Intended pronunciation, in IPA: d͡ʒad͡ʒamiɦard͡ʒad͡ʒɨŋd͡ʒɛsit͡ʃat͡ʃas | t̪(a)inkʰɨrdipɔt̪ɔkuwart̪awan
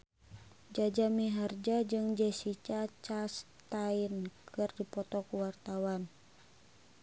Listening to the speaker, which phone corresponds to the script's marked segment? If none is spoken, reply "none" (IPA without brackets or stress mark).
a